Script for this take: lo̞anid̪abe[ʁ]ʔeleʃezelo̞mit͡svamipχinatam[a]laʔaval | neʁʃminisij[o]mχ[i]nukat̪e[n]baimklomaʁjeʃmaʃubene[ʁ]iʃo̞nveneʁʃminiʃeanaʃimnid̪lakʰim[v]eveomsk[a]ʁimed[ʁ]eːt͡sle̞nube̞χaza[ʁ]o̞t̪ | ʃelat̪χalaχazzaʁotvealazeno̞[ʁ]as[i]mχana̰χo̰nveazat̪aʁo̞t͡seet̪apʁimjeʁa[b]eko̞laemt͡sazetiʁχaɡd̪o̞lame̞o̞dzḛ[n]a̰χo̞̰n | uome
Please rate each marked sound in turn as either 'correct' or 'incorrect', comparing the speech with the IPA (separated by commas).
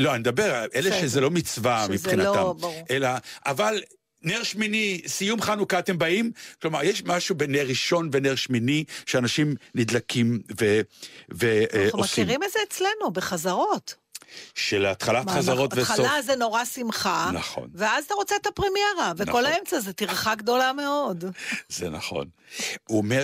correct, incorrect, incorrect, incorrect, incorrect, correct, correct, incorrect, incorrect, correct, correct, correct, incorrect, correct